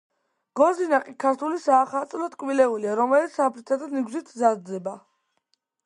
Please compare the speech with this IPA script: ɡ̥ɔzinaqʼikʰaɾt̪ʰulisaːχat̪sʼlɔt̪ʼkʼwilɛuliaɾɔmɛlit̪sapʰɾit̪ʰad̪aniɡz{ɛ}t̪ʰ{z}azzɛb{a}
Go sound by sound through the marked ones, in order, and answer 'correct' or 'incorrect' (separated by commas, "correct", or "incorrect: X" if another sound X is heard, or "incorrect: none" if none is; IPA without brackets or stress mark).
incorrect: i, correct, correct